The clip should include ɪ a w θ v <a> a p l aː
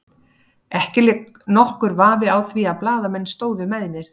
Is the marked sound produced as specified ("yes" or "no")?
no